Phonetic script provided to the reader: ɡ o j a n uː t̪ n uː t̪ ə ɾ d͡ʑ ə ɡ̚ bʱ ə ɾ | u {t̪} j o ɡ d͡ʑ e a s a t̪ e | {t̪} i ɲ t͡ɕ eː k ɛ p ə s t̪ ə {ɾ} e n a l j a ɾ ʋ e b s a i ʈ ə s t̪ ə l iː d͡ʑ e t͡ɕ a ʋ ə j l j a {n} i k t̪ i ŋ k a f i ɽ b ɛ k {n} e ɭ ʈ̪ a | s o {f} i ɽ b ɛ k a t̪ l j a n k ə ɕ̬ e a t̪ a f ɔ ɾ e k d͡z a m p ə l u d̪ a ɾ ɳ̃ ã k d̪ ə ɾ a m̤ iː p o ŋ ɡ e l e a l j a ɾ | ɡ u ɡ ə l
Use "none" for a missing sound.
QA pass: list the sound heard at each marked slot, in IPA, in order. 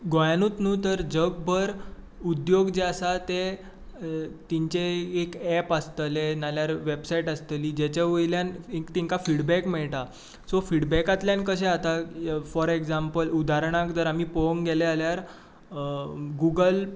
d̪, t̪, l, n, m, f

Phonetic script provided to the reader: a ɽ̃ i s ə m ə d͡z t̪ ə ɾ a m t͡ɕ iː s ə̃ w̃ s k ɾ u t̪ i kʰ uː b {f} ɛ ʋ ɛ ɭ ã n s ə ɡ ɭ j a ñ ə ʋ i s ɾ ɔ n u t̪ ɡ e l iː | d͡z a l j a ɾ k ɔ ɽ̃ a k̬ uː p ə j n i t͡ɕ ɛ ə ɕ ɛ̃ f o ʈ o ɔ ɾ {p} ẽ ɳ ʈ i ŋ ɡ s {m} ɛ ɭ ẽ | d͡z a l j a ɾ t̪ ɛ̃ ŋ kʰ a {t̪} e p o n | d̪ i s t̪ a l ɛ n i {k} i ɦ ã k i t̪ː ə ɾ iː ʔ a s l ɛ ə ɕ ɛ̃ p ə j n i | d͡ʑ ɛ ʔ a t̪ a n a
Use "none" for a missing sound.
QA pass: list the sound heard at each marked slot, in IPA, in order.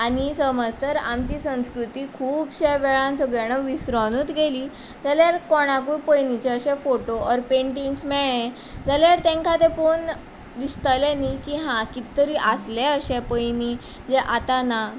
ɕ, p, m, t̪, k

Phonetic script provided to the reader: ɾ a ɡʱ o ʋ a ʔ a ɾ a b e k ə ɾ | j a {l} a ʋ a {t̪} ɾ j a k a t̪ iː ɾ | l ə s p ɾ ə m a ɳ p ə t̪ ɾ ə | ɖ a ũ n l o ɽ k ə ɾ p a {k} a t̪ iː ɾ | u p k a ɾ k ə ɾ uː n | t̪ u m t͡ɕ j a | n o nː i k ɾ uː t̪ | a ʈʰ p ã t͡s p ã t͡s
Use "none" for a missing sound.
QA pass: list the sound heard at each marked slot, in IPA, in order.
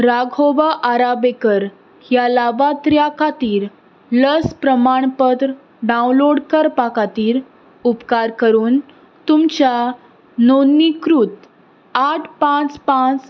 l, t̪, k

